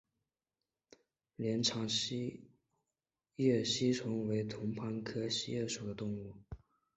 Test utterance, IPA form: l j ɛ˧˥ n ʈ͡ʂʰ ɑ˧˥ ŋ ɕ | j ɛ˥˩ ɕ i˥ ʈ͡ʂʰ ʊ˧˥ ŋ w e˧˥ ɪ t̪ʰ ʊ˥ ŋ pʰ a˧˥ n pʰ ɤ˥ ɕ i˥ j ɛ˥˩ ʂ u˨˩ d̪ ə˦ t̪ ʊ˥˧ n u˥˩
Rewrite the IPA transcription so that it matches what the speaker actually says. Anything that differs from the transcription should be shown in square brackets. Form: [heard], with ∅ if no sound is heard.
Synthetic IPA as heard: l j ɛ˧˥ n ʈ͡ʂʰ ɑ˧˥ ŋ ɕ | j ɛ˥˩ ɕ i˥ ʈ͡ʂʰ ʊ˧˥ ŋ w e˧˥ ɪ t̪ʰ [ʊ˧˥] ŋ pʰ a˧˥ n [kʰ] ɤ˥ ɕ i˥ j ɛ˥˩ ʂ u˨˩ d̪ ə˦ t̪ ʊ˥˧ [ŋ] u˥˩

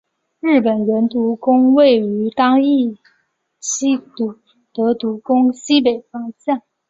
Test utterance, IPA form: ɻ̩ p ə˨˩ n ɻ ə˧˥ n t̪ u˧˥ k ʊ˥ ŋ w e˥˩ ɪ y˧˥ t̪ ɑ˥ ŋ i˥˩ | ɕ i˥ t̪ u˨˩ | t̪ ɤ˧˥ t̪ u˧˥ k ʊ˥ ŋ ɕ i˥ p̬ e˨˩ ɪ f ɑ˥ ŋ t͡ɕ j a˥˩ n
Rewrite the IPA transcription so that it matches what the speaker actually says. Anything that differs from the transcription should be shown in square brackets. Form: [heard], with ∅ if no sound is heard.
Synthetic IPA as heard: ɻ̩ p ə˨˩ n ɻ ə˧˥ n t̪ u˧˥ k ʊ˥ ŋ w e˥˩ ɪ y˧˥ t̪ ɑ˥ ŋ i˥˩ | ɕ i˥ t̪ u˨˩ | t̪ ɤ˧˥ t̪ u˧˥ k ʊ˥ ŋ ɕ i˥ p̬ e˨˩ ɪ f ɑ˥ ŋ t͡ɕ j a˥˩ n

